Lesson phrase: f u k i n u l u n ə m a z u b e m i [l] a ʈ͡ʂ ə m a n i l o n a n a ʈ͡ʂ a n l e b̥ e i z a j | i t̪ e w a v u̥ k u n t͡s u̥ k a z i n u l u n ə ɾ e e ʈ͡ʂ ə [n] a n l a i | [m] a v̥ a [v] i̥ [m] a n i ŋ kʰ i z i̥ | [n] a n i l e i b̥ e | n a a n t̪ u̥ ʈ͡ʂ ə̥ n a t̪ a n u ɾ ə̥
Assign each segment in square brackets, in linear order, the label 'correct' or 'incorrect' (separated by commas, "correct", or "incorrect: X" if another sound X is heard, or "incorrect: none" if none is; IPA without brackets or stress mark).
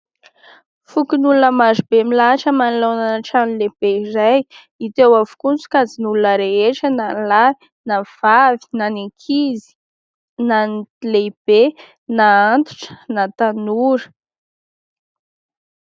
correct, correct, incorrect: n, correct, incorrect: n, correct